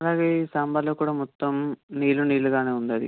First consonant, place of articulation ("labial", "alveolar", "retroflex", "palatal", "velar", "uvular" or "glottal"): alveolar